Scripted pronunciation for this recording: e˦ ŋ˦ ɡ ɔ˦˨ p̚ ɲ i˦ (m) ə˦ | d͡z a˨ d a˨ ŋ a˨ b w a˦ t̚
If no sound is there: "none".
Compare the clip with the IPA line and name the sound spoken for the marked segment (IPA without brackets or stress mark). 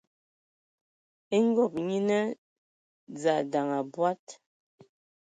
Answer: n